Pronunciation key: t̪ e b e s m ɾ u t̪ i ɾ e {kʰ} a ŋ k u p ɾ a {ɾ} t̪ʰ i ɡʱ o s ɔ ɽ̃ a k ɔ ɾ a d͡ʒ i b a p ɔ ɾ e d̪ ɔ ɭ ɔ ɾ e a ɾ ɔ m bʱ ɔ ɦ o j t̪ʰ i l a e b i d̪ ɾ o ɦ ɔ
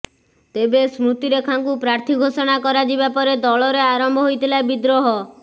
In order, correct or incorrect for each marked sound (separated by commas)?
correct, correct